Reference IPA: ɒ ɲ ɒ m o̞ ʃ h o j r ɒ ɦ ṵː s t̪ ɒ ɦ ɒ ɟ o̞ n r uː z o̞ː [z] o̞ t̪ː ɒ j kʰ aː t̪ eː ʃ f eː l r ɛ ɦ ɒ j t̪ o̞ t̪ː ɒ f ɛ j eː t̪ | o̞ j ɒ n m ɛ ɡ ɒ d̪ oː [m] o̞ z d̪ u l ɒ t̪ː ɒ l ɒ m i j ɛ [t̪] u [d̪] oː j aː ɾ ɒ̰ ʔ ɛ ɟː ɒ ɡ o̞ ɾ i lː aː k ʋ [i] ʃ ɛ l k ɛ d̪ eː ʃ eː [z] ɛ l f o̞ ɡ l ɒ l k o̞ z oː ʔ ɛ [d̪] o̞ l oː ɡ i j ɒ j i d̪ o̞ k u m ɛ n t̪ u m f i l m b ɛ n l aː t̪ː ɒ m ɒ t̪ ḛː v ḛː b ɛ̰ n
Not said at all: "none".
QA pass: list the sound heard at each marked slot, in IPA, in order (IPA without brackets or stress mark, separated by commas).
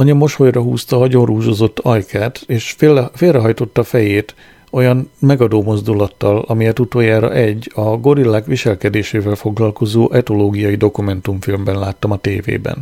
z, m, t̪, t̪, i, v, t̪